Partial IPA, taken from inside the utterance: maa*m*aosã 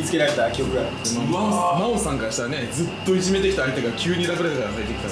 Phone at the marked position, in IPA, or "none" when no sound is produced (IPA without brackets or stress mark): m